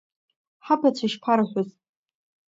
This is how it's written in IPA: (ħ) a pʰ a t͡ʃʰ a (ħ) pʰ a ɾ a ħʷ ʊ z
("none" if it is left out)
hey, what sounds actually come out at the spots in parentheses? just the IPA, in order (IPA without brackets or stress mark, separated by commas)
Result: ħ, ʃ